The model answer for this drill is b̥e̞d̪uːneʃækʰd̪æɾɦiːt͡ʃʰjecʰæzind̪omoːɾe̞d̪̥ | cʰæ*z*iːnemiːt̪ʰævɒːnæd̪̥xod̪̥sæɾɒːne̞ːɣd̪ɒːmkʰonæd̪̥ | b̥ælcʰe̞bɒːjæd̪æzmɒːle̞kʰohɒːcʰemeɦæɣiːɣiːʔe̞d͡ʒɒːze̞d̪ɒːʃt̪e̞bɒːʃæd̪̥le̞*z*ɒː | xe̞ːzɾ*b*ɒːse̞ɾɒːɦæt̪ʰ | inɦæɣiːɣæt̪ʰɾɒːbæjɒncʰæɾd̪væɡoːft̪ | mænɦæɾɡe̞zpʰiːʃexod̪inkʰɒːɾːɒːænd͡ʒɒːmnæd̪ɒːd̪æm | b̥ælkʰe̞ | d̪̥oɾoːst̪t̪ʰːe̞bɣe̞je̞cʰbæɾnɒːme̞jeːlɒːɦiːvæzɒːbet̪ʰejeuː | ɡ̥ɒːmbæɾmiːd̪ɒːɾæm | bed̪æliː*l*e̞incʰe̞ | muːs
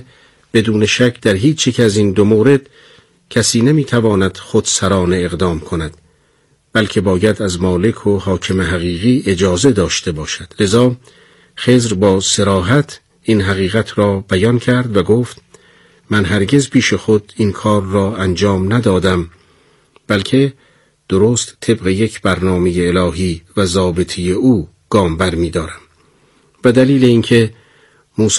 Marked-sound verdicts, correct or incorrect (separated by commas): incorrect, correct, correct, correct